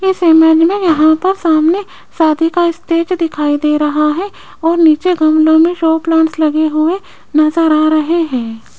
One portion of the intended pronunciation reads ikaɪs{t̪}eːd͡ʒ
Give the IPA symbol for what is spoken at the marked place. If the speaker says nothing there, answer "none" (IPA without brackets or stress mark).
t̪